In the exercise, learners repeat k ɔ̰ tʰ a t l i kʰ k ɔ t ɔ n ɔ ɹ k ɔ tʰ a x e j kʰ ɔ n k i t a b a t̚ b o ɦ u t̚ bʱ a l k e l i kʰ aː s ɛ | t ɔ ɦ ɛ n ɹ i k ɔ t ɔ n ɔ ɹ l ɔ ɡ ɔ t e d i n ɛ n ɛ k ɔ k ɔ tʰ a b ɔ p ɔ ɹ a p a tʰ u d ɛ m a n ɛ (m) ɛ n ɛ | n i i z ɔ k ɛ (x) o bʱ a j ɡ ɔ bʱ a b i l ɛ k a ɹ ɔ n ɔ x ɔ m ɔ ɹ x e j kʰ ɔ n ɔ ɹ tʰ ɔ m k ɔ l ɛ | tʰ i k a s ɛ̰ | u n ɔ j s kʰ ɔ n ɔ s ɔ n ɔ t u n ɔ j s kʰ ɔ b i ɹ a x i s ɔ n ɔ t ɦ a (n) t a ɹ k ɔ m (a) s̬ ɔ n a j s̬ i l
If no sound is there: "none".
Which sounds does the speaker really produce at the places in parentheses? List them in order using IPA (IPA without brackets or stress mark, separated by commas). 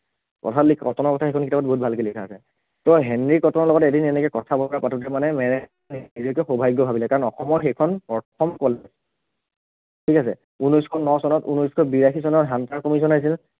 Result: m, x, n, i